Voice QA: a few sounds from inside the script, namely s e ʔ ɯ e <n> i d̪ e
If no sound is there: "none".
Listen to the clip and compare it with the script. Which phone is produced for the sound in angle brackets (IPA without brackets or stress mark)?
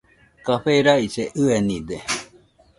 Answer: n